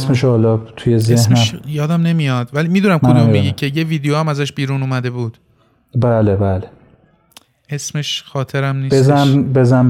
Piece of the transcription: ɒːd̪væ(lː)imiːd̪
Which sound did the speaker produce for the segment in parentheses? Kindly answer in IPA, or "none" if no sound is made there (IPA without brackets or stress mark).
l